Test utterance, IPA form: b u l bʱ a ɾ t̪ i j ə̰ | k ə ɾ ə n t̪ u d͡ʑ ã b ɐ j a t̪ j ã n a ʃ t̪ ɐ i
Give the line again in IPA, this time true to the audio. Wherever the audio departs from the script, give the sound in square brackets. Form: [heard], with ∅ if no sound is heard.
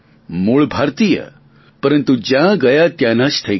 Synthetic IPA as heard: [m] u [ɭ] bʱ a ɾ t̪ i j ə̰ | [p] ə ɾ ə n t̪ u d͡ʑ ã [ɡ] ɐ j a t̪ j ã n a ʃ [t̪ʰ] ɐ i